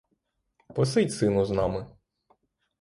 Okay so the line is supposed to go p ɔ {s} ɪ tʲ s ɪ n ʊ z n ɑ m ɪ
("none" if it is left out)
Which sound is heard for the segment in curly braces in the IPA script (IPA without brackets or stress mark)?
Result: s